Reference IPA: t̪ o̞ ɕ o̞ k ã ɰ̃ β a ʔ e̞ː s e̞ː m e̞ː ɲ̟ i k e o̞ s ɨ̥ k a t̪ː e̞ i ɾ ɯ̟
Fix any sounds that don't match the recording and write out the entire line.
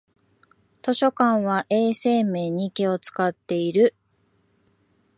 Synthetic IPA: t̪ o̞ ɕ o̞ k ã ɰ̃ β a ʔ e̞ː s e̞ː m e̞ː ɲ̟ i k e o̞ t͡s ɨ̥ k a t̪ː e̞ i ɾ ɯ̟